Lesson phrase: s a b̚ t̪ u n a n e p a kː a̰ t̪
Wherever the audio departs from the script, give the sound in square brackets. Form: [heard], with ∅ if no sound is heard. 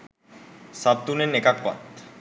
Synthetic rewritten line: s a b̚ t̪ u n [e] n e [k] a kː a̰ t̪